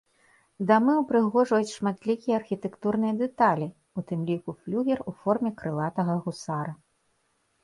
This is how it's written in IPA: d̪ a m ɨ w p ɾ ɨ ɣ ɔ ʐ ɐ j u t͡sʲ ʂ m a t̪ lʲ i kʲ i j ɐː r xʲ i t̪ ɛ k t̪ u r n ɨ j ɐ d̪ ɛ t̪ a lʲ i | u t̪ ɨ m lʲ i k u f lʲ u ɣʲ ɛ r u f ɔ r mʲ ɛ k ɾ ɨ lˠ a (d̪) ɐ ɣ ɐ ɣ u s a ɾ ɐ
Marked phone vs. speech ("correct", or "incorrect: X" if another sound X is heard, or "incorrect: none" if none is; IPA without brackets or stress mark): incorrect: t̪